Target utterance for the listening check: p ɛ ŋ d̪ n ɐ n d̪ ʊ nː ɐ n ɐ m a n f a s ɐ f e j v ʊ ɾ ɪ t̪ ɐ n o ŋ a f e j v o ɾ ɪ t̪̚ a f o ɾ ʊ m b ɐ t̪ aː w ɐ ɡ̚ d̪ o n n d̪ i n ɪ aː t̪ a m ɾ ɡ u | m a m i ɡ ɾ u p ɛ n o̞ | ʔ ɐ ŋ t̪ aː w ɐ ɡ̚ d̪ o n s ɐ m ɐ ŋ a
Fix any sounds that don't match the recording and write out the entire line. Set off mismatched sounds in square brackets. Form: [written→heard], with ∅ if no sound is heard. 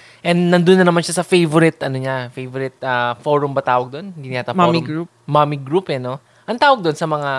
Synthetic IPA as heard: [p→ʔ] ɛ [ŋ→n] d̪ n ɐ n d̪ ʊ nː ɐ n ɐ m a n [f→ʃ] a s ɐ f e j v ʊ ɾ ɪ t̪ ɐ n o [ŋ→ɲ] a f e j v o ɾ ɪ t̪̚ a f o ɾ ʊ m b ɐ t̪ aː w ɐ ɡ̚ d̪ o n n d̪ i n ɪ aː t̪ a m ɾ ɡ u | m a m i ɡ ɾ u p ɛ n o̞ | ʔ ɐ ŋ t̪ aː w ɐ ɡ̚ d̪ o n s ɐ m ɐ ŋ a